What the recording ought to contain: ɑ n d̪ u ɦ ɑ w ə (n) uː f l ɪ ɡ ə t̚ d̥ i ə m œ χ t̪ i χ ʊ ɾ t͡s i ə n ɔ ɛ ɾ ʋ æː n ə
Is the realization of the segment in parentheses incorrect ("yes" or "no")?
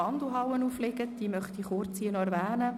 no